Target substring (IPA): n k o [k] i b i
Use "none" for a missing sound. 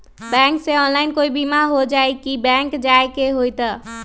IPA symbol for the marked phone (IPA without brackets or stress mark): none